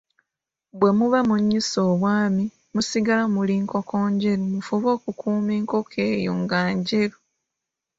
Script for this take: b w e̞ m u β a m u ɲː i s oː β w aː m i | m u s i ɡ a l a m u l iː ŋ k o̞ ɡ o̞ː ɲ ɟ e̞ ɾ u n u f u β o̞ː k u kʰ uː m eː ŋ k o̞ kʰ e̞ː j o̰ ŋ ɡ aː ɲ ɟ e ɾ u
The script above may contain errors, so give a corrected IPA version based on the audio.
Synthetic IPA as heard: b w e̞ m u β a m u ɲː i s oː β w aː m i | m u s i ɡ a l a m u l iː ŋ k o̞ k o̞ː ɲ ɟ e̞ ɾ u m u f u β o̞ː k u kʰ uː m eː ŋ k o̞ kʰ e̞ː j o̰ ŋ ɡ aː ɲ ɟ e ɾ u